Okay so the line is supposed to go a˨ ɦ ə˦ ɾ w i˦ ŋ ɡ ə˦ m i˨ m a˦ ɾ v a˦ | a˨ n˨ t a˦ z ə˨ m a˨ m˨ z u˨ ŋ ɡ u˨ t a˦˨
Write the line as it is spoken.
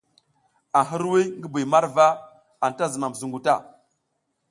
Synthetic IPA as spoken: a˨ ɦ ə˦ ɾ w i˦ ŋ ɡ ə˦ b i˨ m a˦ ɾ v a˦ | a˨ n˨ t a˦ z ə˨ m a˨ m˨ z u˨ ŋ ɡ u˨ t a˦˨